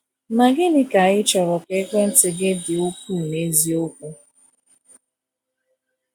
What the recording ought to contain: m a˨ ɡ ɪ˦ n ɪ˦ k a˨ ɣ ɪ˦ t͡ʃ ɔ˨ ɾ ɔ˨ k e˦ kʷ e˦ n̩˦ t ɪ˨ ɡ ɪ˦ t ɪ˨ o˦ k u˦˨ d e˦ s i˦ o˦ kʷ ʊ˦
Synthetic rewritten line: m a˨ ɡ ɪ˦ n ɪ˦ k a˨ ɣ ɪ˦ t͡ʃ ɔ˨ ɾ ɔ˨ k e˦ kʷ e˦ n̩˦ t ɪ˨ ɡ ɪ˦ d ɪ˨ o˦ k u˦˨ n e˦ z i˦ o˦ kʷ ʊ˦